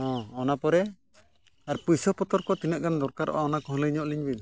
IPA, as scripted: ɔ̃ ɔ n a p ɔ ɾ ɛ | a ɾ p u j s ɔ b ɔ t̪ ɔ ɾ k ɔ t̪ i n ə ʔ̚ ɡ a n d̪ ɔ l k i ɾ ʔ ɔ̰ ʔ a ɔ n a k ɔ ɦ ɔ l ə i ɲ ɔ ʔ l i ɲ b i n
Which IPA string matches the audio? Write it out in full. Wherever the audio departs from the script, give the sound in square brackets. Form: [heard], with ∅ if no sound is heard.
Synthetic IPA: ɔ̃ ɔ n a p ɔ ɾ ɛ | a ɾ p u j s ɔ [p] ɔ t̪ ɔ ɾ k ɔ t̪ i n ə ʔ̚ ɡ a n d̪ ɔ [ɾ] k [a] ɾ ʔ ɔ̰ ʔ a ɔ n a k ɔ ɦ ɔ l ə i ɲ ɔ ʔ l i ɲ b i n